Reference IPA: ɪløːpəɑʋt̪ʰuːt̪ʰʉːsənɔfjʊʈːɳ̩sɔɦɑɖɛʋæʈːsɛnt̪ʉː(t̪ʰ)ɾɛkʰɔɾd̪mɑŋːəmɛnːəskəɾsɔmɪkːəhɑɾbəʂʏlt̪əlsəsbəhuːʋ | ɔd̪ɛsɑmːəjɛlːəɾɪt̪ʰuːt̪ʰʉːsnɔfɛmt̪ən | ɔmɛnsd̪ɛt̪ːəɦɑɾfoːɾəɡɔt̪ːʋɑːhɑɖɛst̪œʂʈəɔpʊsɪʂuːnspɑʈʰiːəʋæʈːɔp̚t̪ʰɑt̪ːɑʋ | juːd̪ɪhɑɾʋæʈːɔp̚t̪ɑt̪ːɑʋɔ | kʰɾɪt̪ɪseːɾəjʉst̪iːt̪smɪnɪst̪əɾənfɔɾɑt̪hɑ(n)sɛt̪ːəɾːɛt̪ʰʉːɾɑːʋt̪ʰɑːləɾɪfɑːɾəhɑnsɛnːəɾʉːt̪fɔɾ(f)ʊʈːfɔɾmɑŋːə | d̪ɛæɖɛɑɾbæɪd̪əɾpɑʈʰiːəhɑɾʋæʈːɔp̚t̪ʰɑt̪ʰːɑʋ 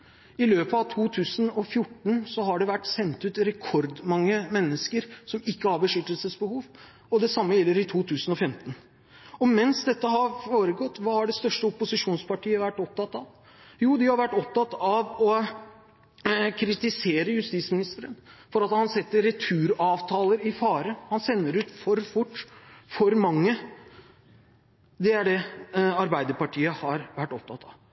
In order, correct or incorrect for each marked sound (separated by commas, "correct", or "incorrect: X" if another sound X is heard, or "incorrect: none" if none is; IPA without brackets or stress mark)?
incorrect: t̪, correct, correct